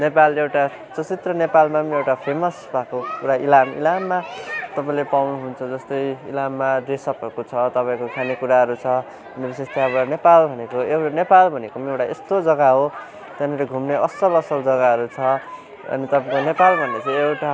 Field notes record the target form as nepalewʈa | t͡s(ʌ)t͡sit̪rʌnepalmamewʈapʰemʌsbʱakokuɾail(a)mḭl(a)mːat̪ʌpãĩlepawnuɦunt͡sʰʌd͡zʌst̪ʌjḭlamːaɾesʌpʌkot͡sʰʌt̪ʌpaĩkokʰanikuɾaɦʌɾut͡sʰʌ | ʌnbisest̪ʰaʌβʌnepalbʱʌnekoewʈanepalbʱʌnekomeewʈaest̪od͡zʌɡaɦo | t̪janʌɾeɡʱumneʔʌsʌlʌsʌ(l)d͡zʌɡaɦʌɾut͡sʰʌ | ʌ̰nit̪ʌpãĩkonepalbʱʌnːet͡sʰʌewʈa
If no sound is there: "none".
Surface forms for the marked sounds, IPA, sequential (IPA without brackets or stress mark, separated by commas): ʌ, a, a, l